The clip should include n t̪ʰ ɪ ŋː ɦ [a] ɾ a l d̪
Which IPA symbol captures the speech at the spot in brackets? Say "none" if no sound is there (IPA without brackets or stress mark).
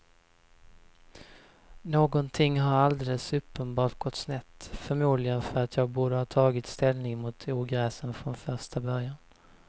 a